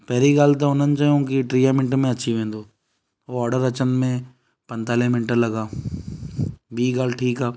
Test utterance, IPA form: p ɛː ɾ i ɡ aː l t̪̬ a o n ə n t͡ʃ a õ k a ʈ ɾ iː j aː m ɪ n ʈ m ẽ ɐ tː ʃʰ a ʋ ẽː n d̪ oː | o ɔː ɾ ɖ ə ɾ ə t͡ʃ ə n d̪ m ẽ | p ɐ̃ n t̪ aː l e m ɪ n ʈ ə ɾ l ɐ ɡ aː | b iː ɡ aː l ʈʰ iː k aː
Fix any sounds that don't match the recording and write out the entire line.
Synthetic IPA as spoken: p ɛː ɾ i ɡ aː l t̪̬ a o n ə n t͡ʃ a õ k i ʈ ɾ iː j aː m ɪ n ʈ m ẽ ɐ tː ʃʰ i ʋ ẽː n d̪ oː | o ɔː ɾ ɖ ə ɾ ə t͡ʃ ə n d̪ m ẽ | p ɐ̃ n t̪ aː l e m ɪ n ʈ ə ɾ l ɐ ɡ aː | b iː ɡ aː l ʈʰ iː k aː